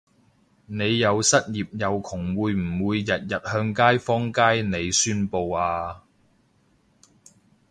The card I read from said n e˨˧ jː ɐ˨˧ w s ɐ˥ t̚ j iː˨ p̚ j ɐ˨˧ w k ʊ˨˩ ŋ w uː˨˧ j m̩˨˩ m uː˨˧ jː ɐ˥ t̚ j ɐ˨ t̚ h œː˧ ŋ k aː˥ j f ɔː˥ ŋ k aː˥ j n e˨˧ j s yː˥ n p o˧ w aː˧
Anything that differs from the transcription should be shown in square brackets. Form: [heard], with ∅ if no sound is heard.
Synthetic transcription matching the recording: n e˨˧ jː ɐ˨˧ w s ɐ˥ t̚ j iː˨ p̚ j ɐ˨˧ w [kʰ] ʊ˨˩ ŋ w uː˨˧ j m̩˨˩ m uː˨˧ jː [ɐ˨] t̚ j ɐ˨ t̚ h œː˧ ŋ k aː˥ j f ɔː˥ ŋ k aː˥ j n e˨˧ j s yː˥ n p o˧ w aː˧